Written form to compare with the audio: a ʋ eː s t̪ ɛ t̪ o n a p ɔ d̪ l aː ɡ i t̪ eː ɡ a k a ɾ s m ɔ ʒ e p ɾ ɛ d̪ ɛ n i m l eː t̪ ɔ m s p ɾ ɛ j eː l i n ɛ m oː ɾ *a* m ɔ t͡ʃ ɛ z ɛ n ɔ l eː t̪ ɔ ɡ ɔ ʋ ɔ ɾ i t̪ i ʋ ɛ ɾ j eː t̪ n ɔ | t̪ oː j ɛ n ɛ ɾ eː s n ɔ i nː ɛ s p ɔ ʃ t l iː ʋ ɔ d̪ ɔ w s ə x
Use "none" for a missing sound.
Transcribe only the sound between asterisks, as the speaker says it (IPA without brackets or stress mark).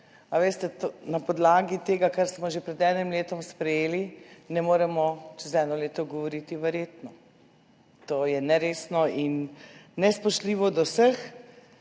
ɛ